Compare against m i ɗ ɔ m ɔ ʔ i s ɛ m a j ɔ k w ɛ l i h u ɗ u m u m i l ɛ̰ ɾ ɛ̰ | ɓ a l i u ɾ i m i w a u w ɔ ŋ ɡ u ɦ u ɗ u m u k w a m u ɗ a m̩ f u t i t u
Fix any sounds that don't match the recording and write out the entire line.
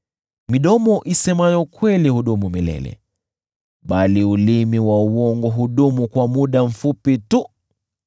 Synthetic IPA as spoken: m i ɗ ɔ m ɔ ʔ i s ɛ m a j ɔ k w ɛ l i h u ɗ u m u m i l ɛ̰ l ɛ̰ | ɓ a l i u l i m i w a u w ɔ ŋ ɡ ɔ ɦ u ɗ u m u k w a m u ɗ a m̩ f u p i t u